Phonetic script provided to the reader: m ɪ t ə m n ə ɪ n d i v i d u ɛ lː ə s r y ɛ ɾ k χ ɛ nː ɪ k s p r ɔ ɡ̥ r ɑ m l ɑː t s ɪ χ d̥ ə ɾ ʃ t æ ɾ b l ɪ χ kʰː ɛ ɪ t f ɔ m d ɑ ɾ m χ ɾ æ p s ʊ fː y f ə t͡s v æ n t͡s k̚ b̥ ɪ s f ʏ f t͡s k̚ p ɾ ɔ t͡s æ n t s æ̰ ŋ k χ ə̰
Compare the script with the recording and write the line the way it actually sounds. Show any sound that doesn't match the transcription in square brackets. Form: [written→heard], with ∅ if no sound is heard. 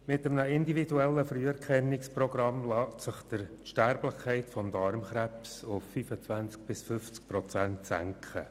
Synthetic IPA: m ɪ t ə m n ə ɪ n d i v i d u ɛ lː ə [s→f] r y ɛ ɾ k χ ɛ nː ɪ k s p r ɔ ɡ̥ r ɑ m l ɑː t s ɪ χ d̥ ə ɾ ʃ t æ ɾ b l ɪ χ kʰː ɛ ɪ t f ɔ m d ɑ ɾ m χ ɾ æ p s ʊ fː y f ə t͡s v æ n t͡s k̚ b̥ ɪ s f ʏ f t͡s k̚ p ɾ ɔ t͡s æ n t s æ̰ ŋ k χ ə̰